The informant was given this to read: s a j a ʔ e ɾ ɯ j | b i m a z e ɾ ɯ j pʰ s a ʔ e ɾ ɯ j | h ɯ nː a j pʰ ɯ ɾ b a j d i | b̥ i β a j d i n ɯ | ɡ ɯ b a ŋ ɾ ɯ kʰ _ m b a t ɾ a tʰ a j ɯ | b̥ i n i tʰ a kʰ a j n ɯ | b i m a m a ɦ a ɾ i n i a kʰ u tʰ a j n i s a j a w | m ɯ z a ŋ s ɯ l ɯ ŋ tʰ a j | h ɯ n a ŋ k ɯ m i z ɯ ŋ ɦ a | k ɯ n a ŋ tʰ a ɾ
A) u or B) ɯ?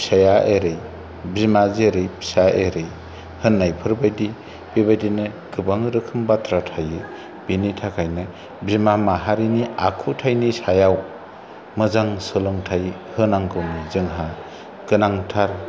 B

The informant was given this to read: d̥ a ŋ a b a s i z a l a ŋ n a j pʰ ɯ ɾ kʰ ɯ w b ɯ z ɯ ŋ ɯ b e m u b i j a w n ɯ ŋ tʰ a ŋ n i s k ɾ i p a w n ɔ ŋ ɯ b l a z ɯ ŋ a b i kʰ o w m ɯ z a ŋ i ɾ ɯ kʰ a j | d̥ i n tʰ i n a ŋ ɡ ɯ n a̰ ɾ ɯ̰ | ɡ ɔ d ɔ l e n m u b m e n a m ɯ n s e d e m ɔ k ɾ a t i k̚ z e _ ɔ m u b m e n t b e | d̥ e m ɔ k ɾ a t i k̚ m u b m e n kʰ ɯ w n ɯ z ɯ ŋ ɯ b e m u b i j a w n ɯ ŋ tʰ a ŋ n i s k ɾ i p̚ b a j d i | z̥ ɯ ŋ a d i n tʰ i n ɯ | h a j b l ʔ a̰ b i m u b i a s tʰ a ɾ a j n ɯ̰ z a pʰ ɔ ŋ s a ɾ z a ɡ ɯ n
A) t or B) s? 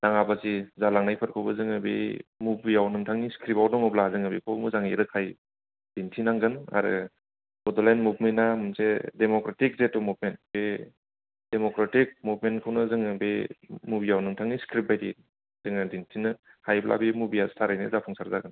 A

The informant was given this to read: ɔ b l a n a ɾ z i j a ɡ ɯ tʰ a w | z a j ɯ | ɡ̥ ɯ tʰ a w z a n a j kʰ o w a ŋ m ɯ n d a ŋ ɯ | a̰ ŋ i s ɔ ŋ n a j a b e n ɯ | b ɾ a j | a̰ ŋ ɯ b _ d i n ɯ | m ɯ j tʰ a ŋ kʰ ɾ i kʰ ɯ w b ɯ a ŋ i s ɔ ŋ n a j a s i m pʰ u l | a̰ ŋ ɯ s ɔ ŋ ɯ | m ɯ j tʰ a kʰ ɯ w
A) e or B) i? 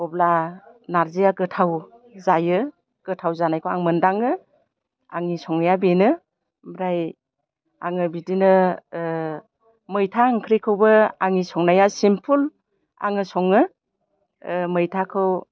B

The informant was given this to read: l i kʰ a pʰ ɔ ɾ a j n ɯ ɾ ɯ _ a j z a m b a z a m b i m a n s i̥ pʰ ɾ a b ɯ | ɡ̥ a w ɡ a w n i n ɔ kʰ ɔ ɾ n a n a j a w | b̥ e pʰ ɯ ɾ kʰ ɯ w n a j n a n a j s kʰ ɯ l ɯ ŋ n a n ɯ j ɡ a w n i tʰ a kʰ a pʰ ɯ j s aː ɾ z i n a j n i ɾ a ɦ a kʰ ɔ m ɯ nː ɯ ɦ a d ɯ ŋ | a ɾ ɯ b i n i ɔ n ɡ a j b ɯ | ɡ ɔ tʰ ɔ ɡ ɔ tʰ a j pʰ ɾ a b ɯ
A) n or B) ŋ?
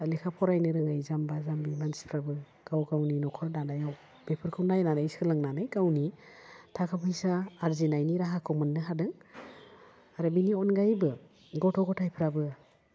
B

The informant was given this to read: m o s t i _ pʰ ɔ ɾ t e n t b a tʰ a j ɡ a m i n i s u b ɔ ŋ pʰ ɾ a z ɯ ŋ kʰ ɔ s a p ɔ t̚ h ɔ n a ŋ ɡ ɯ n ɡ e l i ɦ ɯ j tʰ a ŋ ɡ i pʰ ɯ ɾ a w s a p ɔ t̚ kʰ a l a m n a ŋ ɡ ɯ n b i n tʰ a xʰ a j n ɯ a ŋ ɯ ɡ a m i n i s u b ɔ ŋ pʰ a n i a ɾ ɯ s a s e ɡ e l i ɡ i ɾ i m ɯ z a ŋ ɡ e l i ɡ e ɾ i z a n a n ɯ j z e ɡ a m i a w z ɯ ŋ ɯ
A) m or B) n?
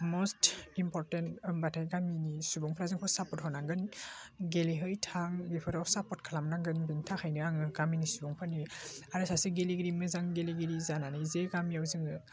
A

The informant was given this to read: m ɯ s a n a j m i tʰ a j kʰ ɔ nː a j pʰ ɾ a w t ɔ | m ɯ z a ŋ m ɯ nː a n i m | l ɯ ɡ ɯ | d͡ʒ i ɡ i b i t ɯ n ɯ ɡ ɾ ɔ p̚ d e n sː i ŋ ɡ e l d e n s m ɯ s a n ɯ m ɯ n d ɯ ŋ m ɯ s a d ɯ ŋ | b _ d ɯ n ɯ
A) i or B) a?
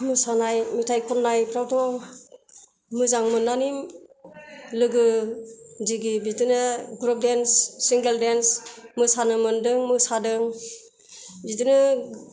A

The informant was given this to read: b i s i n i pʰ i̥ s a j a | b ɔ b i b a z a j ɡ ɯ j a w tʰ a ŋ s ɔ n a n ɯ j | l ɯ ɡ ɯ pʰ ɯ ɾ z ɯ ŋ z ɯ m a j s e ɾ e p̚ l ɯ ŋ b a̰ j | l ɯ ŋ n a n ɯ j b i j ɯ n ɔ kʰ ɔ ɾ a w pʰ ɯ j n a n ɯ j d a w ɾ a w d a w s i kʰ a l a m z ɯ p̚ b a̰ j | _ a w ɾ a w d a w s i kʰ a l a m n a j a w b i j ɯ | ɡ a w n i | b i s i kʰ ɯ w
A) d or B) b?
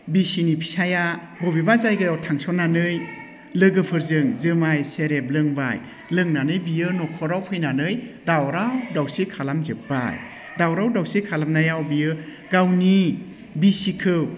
A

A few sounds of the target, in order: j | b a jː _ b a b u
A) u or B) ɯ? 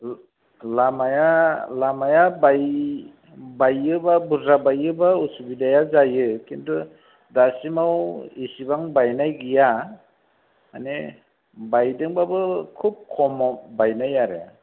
B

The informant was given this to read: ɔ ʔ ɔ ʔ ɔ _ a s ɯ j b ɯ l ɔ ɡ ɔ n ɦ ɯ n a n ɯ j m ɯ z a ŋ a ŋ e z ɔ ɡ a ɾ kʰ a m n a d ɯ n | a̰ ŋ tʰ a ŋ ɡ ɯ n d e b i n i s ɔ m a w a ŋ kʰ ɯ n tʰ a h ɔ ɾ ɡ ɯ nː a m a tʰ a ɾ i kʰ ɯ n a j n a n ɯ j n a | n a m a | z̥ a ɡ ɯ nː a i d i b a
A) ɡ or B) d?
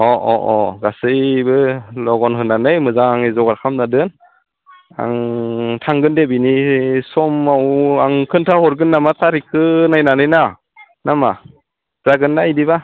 A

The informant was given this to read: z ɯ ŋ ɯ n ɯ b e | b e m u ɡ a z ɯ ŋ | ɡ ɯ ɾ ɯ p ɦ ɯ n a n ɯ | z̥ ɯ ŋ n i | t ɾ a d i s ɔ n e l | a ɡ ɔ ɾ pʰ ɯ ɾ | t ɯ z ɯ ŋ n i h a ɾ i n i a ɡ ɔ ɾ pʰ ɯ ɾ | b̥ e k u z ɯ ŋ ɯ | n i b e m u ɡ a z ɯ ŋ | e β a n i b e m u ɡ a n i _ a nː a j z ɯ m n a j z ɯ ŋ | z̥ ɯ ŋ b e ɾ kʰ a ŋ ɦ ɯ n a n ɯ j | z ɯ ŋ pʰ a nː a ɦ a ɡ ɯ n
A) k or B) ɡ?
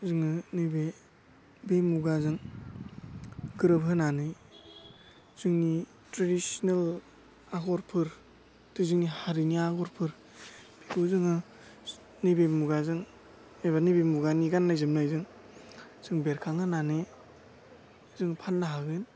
B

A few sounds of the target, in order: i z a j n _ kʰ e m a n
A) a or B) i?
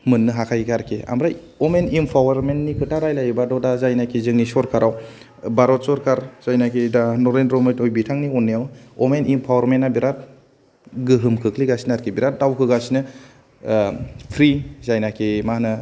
A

